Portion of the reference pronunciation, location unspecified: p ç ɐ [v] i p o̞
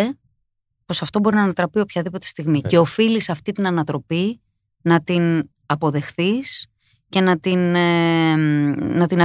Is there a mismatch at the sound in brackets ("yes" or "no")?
yes